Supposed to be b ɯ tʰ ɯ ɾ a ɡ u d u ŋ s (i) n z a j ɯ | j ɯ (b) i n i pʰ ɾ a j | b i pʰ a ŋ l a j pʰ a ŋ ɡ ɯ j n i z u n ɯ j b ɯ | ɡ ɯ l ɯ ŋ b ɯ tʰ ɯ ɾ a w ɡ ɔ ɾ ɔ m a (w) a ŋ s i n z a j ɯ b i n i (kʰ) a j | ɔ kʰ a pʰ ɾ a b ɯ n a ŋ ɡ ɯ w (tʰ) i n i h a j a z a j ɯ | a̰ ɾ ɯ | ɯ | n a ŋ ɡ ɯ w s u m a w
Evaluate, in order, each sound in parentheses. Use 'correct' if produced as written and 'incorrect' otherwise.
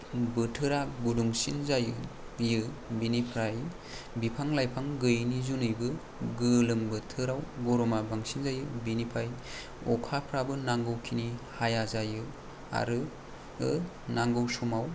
correct, correct, incorrect: b, incorrect: pʰ, incorrect: kʰ

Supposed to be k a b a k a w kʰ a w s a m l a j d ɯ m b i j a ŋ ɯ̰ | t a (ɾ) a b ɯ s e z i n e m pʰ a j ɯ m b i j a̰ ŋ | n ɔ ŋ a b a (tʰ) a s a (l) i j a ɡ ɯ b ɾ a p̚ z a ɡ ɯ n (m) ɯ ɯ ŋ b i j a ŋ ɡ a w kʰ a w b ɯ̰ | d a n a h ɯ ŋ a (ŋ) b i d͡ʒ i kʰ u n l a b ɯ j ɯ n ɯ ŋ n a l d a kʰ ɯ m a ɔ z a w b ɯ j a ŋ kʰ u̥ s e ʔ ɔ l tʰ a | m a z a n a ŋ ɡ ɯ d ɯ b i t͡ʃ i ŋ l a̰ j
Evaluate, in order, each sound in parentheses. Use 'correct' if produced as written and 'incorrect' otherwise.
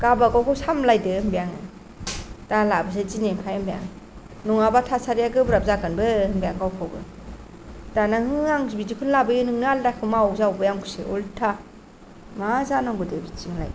incorrect: l, correct, incorrect: ɾ, incorrect: b, correct

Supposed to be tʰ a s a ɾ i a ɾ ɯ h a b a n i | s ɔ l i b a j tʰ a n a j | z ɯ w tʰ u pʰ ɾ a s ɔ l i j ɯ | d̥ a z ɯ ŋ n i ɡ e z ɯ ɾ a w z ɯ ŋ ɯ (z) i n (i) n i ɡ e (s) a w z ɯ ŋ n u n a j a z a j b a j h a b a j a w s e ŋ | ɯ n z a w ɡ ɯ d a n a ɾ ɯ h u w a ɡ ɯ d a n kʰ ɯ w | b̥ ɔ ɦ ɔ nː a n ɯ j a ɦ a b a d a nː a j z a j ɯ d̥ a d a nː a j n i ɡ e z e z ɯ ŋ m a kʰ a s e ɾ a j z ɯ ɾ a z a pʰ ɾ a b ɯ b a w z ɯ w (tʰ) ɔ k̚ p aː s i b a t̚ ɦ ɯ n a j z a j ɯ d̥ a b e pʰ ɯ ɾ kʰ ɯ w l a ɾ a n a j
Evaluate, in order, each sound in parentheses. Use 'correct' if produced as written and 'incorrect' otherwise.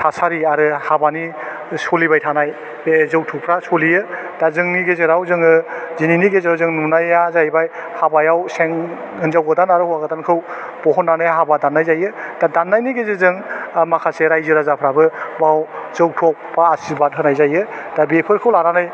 correct, correct, incorrect: z, correct

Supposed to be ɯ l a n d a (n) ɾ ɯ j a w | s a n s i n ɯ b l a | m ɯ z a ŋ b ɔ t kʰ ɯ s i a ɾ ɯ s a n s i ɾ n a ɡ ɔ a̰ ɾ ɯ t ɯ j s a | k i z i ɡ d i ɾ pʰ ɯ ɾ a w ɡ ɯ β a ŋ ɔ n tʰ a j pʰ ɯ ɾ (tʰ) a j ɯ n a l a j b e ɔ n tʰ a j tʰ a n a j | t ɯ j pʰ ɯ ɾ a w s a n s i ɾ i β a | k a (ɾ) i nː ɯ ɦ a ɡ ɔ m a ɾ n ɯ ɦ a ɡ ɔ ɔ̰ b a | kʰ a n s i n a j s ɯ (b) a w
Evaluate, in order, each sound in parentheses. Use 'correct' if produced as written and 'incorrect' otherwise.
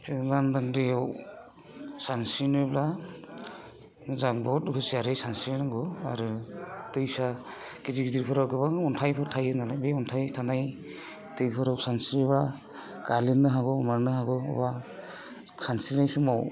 incorrect: ŋ, correct, incorrect: l, incorrect: m

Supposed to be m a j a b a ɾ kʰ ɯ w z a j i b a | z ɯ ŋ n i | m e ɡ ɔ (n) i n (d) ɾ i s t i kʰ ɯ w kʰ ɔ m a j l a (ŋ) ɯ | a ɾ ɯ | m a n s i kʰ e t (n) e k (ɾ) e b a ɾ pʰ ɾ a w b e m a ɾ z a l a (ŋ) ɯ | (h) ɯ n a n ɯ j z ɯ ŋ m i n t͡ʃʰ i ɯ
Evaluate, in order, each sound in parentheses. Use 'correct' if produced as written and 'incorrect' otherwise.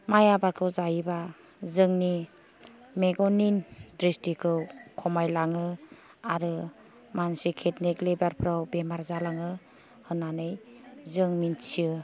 correct, correct, correct, correct, incorrect: l, correct, correct

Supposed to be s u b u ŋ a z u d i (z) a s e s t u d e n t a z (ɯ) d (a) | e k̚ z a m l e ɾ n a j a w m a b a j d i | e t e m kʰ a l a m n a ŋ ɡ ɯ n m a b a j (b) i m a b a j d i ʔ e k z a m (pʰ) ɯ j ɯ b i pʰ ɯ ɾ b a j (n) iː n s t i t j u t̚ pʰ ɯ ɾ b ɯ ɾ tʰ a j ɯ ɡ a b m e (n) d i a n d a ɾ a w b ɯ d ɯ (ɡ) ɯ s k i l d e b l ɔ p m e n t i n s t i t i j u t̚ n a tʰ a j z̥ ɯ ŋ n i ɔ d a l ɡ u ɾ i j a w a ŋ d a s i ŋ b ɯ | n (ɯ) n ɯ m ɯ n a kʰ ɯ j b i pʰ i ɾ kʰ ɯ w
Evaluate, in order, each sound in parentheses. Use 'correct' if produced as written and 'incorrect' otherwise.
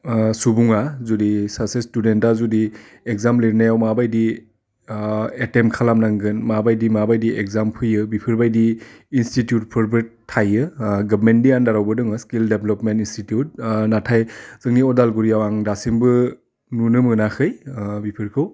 incorrect: s, incorrect: u, incorrect: i, incorrect: d, correct, incorrect: d, correct, incorrect: ŋ, incorrect: u

